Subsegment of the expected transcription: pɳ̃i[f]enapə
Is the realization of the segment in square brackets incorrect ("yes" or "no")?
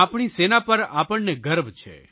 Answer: yes